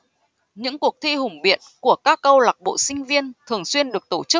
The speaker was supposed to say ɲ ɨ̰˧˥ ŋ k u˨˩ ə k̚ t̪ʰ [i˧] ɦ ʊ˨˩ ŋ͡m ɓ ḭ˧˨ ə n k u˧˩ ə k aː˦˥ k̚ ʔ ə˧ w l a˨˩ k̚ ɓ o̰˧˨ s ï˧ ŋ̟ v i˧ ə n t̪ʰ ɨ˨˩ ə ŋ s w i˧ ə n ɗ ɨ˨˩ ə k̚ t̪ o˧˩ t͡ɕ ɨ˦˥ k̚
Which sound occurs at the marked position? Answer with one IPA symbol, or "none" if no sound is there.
i˧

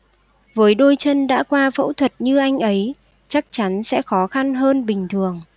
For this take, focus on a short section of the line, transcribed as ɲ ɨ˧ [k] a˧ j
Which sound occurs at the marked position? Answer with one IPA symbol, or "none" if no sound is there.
ʔ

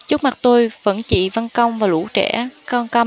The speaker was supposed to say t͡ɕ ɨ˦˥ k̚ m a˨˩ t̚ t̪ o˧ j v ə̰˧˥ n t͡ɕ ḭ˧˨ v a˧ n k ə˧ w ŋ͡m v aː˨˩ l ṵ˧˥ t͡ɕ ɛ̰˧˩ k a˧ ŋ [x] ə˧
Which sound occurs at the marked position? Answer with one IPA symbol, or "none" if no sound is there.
k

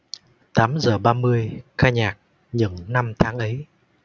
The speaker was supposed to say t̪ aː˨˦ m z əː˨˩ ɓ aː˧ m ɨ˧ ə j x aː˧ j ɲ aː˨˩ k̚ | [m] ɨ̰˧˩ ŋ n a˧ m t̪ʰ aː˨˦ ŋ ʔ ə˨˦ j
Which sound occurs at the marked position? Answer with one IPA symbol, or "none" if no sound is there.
ɲ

